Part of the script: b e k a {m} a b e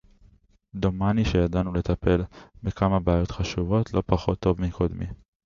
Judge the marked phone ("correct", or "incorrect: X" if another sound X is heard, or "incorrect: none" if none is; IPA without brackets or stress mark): correct